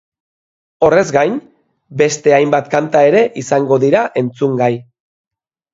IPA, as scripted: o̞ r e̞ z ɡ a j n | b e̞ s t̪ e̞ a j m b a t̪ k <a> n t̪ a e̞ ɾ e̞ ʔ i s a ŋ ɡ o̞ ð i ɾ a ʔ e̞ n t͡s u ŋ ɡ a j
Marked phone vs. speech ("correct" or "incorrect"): correct